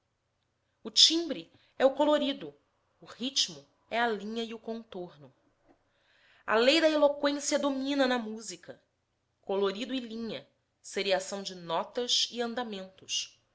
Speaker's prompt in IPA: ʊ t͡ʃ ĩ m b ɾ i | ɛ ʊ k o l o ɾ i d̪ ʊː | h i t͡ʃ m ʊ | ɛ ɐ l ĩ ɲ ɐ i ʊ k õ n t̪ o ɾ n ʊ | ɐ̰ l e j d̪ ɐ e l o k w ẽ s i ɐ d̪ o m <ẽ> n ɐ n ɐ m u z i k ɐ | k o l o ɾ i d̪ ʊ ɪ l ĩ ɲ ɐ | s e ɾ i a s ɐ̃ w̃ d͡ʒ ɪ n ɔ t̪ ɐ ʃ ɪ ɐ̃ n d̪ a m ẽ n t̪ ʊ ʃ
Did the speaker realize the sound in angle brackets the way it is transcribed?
no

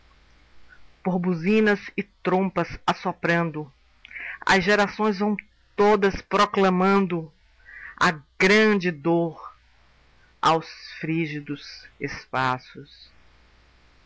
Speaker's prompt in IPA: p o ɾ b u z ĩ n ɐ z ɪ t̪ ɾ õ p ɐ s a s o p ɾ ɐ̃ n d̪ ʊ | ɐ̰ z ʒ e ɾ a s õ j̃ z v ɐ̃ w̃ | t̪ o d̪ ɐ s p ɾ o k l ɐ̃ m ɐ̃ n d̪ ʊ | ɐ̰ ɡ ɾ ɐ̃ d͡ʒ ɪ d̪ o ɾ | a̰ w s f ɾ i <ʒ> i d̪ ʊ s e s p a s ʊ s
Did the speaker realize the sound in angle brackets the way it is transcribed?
yes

